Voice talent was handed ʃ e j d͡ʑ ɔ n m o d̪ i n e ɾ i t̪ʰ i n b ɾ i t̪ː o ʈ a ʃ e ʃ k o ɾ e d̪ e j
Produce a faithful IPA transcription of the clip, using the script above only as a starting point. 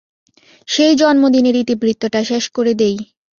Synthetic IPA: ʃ e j d͡ʑ ɔ n m o d̪ i n e ɾ i t̪ i b ɾ i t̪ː o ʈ a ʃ e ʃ k o ɾ e d̪ e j